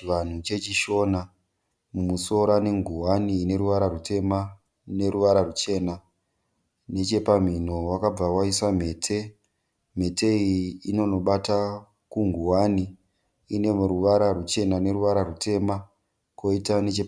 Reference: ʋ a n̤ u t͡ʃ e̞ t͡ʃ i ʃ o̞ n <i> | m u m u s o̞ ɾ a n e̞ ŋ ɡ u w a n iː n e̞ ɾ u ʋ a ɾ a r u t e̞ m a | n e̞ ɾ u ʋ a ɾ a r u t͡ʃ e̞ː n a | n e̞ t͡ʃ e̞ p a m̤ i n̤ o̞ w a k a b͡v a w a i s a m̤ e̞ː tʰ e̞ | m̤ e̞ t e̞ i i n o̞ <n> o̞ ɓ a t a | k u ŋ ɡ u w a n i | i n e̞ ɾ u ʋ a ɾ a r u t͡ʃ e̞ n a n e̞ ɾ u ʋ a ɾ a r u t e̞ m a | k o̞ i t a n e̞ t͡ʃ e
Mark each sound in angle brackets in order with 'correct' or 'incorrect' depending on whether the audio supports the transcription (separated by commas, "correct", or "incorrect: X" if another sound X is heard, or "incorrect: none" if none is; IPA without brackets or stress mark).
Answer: incorrect: a, correct